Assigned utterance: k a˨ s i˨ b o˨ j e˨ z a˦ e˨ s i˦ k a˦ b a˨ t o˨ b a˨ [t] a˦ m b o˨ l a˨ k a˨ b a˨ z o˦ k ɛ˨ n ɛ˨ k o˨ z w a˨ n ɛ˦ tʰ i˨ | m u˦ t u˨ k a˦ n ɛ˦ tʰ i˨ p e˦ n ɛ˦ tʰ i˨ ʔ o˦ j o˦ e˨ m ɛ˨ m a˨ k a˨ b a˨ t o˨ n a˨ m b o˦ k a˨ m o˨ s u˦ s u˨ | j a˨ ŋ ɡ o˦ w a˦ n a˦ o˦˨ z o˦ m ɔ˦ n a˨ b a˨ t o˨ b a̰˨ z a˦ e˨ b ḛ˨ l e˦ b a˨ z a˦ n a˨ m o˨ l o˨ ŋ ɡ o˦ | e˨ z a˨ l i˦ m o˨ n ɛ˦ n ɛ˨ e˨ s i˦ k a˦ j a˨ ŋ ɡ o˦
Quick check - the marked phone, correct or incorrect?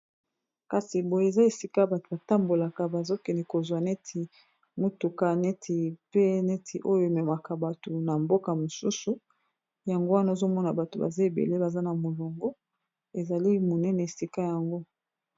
correct